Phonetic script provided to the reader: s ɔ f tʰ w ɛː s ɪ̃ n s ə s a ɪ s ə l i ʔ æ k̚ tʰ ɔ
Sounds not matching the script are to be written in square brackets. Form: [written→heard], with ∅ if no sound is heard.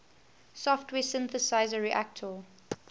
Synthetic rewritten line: s ɔ f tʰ w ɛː s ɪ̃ n [s→θ] ə s a ɪ [s→z] ə [l→ɹ] i ʔ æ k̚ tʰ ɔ